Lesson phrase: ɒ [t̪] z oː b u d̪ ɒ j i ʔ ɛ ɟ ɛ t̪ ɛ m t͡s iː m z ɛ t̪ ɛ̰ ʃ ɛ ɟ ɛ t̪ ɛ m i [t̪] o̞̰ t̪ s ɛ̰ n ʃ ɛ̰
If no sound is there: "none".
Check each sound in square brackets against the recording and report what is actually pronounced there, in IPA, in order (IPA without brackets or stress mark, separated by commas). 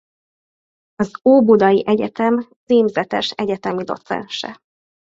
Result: none, d̪